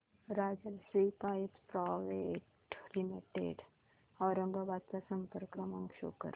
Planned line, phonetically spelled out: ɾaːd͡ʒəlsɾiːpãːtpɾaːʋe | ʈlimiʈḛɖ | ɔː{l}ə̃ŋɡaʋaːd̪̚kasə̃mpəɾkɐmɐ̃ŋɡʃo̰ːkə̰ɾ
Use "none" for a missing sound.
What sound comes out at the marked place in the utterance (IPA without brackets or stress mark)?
ɾ